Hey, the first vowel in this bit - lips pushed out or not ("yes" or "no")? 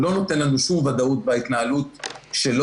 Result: yes